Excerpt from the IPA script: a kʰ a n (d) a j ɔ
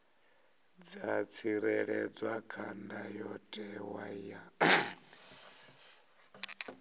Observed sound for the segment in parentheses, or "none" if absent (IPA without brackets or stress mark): d